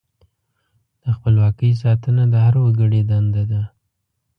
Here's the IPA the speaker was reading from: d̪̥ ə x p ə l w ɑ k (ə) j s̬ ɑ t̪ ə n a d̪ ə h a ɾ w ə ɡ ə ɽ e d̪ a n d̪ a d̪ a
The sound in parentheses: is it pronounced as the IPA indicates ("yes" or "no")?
yes